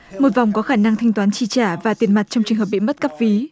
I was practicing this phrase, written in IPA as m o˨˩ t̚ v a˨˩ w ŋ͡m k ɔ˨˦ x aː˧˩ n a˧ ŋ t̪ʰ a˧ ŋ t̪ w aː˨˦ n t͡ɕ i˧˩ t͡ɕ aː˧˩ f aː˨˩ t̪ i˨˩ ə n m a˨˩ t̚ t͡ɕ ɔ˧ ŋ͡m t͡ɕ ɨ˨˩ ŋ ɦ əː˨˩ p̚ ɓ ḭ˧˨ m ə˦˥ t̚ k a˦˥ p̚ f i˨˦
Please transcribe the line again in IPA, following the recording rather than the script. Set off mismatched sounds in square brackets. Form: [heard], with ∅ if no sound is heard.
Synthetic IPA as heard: m o˨˩ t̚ v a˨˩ w ŋ͡m k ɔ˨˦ x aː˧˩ n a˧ ŋ t̪ʰ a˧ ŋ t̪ w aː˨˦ n t͡ɕ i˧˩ t͡ɕ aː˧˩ [v] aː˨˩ t̪ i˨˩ ə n m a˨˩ t̚ t͡ɕ ɔ˧ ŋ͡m t͡ɕ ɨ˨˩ ŋ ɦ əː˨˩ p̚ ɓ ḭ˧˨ m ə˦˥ t̚ k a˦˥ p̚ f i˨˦